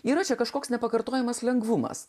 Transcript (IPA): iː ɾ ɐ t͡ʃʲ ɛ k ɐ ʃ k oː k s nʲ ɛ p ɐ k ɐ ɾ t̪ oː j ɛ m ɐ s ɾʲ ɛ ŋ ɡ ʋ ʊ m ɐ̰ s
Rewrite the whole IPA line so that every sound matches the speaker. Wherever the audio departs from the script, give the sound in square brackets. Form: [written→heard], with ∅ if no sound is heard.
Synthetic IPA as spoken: iː ɾ ɐ t͡ʃʲ ɛ k ɐ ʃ k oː k s nʲ ɛ p ɐ k ɐ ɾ t̪ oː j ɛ m ɐ s [ɾʲ→lʲ] ɛ ŋ ɡ ʋ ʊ m ɐ̰ s